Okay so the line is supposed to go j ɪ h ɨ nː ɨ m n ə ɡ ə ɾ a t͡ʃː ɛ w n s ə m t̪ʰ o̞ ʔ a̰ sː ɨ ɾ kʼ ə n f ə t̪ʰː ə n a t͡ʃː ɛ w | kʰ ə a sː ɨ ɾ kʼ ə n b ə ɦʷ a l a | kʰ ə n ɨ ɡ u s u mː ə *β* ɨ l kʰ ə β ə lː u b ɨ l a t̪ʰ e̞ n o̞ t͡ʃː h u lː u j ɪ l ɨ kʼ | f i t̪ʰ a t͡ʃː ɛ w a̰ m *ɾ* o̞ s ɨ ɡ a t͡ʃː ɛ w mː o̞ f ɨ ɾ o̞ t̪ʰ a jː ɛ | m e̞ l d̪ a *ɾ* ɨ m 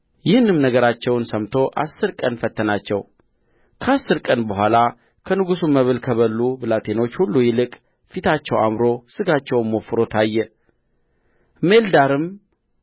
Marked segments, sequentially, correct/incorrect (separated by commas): correct, correct, correct